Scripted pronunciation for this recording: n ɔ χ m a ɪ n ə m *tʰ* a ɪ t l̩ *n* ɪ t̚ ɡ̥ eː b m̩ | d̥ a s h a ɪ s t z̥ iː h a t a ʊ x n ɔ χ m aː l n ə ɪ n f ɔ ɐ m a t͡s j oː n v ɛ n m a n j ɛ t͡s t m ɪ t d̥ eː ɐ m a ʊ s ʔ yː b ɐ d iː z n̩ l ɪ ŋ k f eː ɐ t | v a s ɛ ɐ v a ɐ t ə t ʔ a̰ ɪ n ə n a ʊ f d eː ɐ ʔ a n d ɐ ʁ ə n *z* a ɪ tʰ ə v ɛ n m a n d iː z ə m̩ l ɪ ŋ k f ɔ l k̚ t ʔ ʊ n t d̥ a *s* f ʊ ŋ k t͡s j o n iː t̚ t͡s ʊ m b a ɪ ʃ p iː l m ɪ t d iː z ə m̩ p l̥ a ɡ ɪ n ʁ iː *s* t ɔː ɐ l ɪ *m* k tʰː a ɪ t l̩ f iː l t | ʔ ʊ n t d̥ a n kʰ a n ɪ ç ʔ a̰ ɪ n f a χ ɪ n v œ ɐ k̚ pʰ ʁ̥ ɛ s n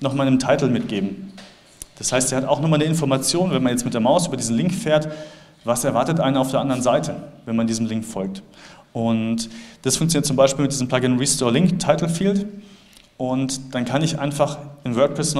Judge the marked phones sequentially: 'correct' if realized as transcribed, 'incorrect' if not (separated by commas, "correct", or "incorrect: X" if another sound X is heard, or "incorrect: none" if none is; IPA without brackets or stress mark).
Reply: correct, incorrect: m, correct, correct, correct, incorrect: ŋ